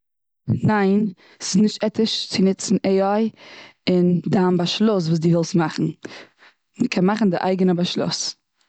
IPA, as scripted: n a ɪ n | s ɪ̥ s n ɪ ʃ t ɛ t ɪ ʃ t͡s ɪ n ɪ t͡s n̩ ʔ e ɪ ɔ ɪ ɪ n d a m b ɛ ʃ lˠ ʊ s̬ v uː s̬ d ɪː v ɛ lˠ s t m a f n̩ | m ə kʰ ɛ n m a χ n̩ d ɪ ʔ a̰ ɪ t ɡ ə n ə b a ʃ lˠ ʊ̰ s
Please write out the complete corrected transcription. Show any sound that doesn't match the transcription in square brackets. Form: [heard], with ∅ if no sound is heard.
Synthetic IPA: n a ɪ n | s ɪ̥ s n ɪ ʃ t ɛ t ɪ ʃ t͡s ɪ n ɪ t͡s n̩ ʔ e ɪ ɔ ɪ ɪ n d a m b [a] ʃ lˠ ʊ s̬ v uː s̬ d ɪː v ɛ lˠ s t m a [χ] n̩ | m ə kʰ ɛ n m a χ n̩ d ɪ ʔ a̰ ɪ [∅] ɡ ə n ə b a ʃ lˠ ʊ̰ s